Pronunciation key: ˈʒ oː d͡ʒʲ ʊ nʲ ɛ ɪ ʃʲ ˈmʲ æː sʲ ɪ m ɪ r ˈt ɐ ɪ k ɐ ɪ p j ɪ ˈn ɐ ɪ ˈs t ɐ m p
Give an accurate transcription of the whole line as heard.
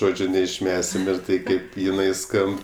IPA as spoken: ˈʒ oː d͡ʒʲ ʊ nʲ ɛ ɪ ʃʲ ˈmʲ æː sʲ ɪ m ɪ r ˈt ɐ ɪ k ɐ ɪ p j ɪ ˈn ɐ ɪ ˈs k ɐ m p